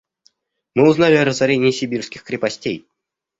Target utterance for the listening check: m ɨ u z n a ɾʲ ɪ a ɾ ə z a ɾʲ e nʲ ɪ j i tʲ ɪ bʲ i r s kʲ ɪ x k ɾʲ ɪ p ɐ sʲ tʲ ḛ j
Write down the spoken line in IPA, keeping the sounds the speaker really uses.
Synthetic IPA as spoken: m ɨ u z n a lʲ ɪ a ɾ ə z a ɾʲ e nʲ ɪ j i sʲ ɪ bʲ i r s kʲ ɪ x k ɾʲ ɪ p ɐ sʲ tʲ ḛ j